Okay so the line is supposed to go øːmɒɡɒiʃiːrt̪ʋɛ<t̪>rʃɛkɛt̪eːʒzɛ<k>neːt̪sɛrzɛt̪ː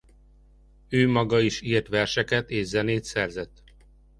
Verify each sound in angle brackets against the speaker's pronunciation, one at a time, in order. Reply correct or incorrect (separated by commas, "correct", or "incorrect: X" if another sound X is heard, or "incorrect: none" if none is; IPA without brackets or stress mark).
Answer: incorrect: none, incorrect: none